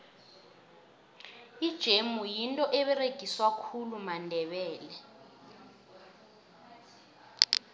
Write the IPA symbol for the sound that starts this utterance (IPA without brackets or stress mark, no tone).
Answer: i